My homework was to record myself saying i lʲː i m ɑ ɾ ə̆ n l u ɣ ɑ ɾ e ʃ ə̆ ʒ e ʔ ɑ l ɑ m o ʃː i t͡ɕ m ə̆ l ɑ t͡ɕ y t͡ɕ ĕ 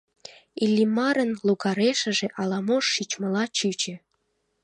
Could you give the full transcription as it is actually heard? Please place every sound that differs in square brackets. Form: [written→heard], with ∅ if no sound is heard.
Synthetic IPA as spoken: i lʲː i m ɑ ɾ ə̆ n l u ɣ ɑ ɾ e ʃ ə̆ ʒ e ʔ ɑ l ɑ m o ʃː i t͡ɕ m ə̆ l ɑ t͡ɕ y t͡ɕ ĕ